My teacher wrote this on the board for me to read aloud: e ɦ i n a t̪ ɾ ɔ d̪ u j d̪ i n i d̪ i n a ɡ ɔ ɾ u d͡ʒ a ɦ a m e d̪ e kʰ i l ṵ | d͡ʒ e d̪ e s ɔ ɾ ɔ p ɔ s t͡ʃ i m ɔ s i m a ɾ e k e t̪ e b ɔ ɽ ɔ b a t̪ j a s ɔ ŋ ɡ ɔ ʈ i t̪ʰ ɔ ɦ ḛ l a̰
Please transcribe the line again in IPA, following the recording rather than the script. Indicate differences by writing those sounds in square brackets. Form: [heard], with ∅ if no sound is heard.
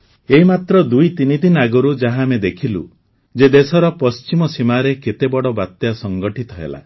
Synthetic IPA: e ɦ i [m] a t̪ ɾ ɔ d̪ u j [t̪] i n i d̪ i n a ɡ ɔ ɾ u d͡ʒ a ɦ a m e d̪ e kʰ i l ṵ | d͡ʒ e d̪ e s ɔ ɾ ɔ p ɔ s t͡ʃ i m ɔ s i m a ɾ e k e t̪ e b ɔ ɽ ɔ b a t̪ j a s ɔ ŋ ɡ ɔ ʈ i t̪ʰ ɔ ɦ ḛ l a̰